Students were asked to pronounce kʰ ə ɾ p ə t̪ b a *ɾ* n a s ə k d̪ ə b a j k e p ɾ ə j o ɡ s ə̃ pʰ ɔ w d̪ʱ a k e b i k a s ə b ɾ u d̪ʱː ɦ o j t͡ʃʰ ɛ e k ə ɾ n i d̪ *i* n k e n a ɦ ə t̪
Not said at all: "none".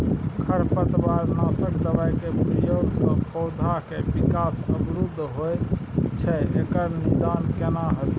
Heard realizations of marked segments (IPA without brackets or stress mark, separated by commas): ɾ, a